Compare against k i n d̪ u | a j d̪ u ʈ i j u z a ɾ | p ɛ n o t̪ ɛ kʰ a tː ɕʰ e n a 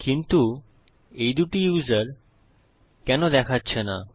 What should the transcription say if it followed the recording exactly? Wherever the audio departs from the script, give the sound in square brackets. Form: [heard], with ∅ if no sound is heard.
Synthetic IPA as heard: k i n [t̪] u | [e] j d̪ u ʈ i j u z a ɾ | [k] ɛ n o [d̪] ɛ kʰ a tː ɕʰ e n a